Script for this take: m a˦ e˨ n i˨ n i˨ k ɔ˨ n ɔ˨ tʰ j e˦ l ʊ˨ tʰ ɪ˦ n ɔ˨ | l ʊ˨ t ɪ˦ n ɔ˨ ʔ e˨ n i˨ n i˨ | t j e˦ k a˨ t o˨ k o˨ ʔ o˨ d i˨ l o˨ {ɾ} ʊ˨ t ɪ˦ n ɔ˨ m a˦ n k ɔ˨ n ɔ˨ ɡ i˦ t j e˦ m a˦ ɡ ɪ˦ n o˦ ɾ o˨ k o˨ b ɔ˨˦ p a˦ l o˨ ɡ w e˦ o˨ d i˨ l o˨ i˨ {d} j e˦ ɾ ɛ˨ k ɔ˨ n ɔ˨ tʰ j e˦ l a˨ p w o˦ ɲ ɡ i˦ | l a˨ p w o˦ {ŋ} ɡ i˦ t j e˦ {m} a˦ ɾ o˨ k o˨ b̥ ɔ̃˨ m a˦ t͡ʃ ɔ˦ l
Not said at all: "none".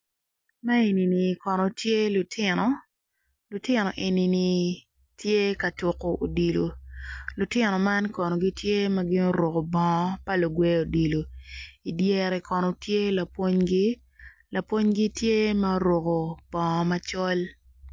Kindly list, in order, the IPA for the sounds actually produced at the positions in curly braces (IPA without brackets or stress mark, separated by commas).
l, d, ɲ, m